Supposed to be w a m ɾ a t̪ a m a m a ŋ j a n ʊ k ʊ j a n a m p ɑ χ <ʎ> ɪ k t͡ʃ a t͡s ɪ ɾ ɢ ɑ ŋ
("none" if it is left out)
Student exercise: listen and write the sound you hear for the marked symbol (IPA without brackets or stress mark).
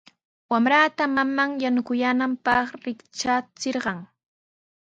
ɾ